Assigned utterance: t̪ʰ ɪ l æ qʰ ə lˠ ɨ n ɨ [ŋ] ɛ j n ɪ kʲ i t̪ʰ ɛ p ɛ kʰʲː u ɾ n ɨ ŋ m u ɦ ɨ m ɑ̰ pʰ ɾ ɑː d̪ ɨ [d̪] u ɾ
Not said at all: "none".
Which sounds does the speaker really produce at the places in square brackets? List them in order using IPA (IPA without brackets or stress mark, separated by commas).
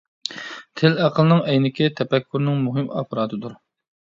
ŋ, d̪